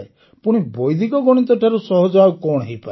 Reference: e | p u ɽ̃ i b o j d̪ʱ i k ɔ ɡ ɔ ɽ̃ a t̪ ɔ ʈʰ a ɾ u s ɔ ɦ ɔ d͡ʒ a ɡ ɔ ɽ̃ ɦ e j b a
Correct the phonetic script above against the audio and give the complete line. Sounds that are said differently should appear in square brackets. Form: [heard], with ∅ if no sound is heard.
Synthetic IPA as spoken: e | p u ɽ̃ i b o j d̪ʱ i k ɔ ɡ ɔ ɽ̃ [i] t̪ ɔ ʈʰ a ɾ u s ɔ ɦ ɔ d͡ʒ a [k] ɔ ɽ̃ ɦ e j [p] a